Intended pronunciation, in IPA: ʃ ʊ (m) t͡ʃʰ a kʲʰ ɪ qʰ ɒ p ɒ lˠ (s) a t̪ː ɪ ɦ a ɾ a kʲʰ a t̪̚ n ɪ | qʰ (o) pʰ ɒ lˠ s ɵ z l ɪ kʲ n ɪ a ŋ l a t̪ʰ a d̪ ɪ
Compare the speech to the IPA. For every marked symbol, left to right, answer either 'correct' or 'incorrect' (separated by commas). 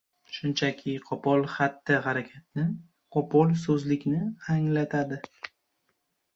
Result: incorrect, incorrect, incorrect